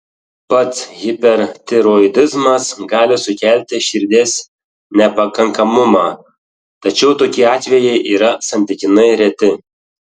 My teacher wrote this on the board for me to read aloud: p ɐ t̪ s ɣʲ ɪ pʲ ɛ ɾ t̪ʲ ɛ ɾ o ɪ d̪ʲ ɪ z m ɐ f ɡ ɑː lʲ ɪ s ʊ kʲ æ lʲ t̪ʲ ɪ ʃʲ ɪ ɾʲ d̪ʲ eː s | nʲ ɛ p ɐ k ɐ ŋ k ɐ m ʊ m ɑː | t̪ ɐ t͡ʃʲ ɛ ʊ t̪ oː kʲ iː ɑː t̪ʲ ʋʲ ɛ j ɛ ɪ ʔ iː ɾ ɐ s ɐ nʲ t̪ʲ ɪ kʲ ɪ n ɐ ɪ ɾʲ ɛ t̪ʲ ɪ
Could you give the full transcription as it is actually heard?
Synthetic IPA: p ɐ t̪ s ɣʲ ɪ pʲ ɛ ɾ t̪ʲ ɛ ɾ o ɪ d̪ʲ ɪ z m ɐ s ɡ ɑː lʲ ɪ s ʊ kʲ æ lʲ t̪ʲ ɪ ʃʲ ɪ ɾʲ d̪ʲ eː s | nʲ ɛ p ɐ k ɐ ŋ k ɐ m ʊ m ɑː | t̪ ɐ t͡ʃʲ ɛ ʊ t̪ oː kʲ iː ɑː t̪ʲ ʋʲ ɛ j ɛ ɪ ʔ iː ɾ ɐ s ɐ nʲ t̪ʲ ɪ kʲ ɪ n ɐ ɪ ɾʲ ɛ t̪ʲ ɪ

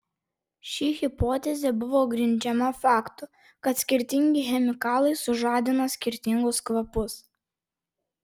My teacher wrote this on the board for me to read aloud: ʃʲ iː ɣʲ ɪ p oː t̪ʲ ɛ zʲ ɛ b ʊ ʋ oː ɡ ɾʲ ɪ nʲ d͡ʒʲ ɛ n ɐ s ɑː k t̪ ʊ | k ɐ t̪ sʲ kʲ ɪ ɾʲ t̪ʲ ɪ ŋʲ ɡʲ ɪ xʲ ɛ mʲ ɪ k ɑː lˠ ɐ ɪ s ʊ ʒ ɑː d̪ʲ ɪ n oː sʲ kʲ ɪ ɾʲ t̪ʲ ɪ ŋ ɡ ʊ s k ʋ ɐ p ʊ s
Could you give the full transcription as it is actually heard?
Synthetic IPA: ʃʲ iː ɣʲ ɪ p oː t̪ʲ ɛ zʲ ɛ b ʊ ʋ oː ɡ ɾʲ ɪ nʲ d͡ʒʲ ɛ m ɐ f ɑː k t̪ ʊ | k ɐ t̪ sʲ kʲ ɪ ɾʲ t̪ʲ ɪ ŋʲ ɡʲ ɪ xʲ ɛ mʲ ɪ k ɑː lˠ ɐ ɪ s ʊ ʒ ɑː d̪ʲ ɪ n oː sʲ kʲ ɪ ɾʲ t̪ʲ ɪ ŋ ɡ ʊ s k ʋ ɐ p ʊ s

